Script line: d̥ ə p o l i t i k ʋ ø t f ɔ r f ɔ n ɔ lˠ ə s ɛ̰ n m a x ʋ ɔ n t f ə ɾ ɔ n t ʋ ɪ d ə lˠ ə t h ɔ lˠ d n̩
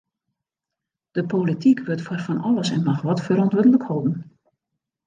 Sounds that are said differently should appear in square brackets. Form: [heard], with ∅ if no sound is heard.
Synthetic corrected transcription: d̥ ə p o l i t i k ʋ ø t f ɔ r f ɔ n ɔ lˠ ə s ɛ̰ n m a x ʋ ɔ [∅] t f ə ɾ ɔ n t ʋ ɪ d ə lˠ ə [k] h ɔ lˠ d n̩